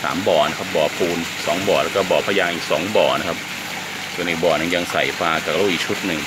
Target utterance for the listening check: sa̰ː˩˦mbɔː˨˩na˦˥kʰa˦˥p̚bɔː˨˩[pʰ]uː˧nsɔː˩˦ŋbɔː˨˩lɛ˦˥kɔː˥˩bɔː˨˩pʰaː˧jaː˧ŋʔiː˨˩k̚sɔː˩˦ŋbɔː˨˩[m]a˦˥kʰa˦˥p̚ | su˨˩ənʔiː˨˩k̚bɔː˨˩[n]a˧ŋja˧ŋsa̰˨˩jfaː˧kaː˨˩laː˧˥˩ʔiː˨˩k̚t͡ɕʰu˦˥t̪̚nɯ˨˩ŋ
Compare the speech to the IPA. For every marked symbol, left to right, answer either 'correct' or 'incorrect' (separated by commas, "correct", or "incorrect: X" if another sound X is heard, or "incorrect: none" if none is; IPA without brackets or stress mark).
correct, incorrect: n, correct